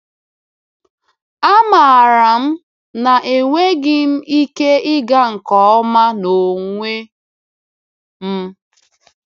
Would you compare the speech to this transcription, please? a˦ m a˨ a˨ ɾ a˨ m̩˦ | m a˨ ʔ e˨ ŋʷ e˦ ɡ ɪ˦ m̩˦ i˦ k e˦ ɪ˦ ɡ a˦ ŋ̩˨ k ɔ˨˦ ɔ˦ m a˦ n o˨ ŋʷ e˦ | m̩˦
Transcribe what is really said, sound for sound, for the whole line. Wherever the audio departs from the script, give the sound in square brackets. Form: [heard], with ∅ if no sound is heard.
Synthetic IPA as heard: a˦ m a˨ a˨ ɾ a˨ m̩˦ | [n] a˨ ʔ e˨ ŋʷ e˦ ɡ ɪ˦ m̩˦ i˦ k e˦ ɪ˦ ɡ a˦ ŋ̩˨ k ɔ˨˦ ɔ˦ m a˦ n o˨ ŋʷ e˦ | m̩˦

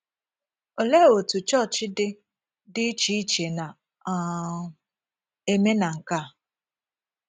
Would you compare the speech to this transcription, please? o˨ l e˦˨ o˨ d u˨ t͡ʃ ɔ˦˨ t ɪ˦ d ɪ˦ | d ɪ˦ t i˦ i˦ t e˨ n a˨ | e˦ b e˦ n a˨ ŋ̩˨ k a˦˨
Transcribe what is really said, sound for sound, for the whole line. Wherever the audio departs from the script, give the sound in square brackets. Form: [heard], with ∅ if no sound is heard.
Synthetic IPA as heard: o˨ l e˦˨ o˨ [t] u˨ t͡ʃ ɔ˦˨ [t͡ʃ] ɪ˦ d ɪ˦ | d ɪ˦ [t͡ʃ] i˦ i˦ [t͡ʃ] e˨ n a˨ | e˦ [m] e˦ n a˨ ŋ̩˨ k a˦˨

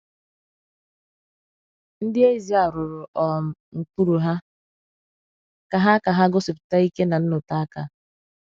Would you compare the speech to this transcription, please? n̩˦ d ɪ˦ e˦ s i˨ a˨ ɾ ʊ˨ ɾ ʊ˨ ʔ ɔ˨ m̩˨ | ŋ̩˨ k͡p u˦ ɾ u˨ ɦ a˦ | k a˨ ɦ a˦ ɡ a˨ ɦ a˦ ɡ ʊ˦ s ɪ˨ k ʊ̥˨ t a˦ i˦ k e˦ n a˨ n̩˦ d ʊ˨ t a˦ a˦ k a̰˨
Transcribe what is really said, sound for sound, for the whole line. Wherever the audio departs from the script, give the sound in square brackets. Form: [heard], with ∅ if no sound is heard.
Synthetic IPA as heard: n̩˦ d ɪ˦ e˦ [z] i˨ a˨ ɾ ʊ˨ ɾ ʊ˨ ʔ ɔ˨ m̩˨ | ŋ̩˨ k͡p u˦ ɾ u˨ ɦ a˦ | k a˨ ɦ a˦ [k] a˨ ɦ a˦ ɡ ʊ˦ s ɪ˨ [p] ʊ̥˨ t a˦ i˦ k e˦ n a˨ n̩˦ [n] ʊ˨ t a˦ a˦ k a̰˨

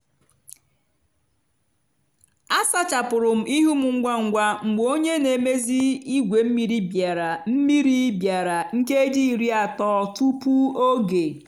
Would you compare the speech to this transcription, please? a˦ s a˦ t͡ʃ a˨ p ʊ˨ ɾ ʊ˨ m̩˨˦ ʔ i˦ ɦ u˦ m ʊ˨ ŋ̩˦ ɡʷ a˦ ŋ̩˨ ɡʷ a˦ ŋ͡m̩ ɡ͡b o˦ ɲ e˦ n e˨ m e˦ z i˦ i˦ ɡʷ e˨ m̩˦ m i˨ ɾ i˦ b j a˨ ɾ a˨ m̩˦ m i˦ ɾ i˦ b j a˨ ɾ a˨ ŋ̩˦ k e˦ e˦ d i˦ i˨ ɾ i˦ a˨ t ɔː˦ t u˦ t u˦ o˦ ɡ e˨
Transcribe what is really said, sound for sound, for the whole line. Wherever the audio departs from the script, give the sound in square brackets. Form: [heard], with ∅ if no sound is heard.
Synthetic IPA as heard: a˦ s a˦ t͡ʃ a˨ p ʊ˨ ɾ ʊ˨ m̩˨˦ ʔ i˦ ɦ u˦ m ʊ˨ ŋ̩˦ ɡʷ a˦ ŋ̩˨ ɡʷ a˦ ŋ͡m̩ ɡ͡b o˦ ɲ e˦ n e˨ m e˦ z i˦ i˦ ɡʷ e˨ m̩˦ m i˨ ɾ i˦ b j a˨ ɾ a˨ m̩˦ m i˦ ɾ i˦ b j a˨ ɾ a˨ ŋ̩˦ k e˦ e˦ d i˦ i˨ ɾ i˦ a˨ t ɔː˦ t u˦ [p] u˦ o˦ ɡ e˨

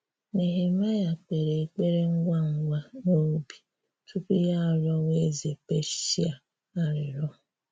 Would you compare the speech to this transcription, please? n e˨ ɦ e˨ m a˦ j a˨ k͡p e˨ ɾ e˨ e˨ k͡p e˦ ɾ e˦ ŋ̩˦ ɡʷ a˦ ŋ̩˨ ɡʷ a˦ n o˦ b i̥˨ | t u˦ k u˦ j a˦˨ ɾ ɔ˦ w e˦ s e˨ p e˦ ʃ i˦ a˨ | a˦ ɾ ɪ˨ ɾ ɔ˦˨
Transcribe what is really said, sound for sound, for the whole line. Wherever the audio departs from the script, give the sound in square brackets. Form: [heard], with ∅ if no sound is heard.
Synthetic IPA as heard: n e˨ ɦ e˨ m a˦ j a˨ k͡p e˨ ɾ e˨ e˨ k͡p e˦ ɾ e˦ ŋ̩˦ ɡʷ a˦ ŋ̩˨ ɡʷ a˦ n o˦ b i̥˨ | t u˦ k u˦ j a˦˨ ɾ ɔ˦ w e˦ [z] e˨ p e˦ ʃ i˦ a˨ | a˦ ɾ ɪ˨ ɾ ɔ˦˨

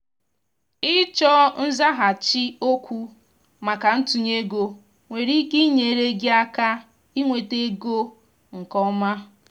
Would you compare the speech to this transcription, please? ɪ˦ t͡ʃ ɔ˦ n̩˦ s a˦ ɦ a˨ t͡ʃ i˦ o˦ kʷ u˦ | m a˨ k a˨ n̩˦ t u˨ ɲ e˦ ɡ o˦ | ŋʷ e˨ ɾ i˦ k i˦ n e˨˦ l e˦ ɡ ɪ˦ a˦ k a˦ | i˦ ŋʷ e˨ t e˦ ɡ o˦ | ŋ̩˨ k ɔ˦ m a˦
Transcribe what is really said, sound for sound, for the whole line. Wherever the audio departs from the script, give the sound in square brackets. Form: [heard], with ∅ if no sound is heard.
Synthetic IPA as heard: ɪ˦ t͡ʃ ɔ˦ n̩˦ [z] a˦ ɦ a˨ t͡ʃ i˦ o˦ kʷ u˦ | m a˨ k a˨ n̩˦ t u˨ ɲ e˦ ɡ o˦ | ŋʷ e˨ ɾ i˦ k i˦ [ɲ] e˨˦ [ɾ] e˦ ɡ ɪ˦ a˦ k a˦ | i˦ ŋʷ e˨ t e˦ ɡ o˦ | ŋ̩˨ k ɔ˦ m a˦

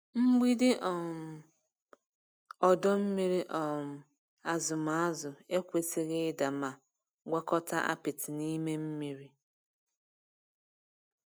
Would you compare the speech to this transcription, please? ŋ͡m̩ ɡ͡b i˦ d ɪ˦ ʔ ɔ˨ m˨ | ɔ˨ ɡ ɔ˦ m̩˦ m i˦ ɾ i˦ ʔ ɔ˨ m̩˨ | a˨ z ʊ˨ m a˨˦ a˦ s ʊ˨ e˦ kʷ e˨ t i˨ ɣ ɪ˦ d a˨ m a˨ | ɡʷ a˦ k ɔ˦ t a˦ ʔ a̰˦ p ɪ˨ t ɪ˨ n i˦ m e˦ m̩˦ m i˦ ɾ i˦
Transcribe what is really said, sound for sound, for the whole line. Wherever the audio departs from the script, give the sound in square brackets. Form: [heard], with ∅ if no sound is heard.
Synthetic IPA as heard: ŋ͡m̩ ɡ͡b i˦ d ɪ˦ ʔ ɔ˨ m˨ | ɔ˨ [d] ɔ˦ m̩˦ m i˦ ɾ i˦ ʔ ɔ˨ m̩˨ | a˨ z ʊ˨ m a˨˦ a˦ [z] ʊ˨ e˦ kʷ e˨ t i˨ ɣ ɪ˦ d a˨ m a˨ | ɡʷ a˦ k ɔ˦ t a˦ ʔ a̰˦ p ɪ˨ t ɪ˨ n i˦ m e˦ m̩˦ m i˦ ɾ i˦

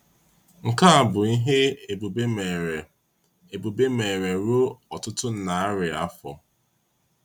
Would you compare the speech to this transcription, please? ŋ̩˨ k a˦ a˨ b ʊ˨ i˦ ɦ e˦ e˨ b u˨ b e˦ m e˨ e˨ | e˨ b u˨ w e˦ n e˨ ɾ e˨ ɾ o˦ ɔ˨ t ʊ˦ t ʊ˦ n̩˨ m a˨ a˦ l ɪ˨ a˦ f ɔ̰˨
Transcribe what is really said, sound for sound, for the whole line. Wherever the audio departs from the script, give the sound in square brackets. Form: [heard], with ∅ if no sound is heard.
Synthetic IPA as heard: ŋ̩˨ k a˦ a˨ b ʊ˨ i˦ ɦ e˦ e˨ b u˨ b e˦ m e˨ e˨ | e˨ b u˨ [b] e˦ [m] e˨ ɾ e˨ ɾ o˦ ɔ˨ t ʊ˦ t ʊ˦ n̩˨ [n] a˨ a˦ [ɾ] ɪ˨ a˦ f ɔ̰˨

